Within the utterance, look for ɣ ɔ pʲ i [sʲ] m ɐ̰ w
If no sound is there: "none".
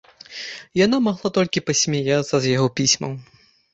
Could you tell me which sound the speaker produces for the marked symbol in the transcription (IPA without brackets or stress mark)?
sʲ